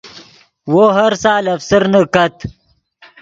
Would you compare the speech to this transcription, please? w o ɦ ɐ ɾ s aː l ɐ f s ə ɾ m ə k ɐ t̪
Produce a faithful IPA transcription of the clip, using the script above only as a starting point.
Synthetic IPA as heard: w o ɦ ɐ ɾ s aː l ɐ f s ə ɾ n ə k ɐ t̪